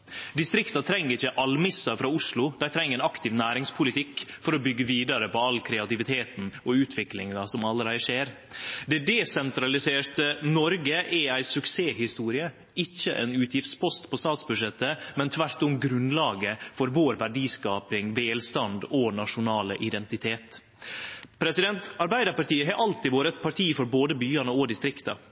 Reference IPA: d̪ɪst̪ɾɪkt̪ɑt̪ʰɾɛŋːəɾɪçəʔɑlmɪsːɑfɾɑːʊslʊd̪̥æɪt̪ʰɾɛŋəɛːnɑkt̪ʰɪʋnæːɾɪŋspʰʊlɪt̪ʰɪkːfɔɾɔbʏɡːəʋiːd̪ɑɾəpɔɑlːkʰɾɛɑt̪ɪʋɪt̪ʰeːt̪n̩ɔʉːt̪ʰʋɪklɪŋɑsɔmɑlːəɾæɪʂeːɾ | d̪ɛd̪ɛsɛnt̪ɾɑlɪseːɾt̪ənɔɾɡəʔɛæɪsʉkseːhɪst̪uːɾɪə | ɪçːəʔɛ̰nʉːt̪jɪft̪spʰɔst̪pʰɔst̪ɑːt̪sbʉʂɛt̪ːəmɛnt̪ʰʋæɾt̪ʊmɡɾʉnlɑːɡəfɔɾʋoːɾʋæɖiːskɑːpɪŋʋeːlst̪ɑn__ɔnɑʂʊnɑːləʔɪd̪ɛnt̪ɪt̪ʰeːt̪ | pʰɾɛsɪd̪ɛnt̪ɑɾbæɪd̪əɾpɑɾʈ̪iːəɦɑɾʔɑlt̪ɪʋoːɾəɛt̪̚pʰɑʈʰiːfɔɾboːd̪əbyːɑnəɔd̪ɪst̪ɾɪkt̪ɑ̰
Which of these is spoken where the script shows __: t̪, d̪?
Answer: d̪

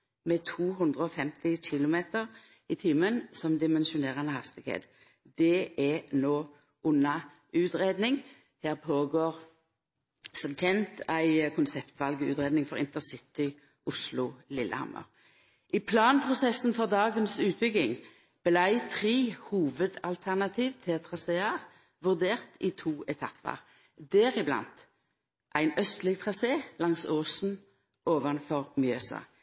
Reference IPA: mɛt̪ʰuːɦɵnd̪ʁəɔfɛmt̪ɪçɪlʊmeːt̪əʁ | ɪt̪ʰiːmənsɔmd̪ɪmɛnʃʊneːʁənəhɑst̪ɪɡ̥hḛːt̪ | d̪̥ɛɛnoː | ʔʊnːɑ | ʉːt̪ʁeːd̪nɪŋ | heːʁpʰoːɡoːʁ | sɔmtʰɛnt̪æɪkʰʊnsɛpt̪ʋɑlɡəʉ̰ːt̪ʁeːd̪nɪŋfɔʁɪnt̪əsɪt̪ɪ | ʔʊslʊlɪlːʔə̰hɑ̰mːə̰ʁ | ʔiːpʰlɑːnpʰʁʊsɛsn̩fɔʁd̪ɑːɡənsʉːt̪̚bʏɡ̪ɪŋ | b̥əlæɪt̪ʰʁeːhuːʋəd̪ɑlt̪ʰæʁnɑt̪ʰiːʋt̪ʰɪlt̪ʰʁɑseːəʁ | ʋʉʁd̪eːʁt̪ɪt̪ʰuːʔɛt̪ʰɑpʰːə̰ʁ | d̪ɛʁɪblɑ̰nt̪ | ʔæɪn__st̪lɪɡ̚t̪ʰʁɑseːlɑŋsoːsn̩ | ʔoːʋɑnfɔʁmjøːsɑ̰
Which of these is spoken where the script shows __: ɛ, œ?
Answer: œ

